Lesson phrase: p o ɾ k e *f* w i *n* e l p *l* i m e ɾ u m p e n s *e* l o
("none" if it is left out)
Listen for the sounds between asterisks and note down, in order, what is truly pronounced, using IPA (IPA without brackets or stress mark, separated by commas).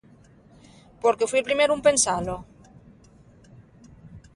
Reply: f, none, ɾ, a